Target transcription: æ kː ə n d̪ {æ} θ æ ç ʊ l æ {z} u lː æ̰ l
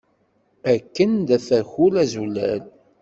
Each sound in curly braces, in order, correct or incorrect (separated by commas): correct, correct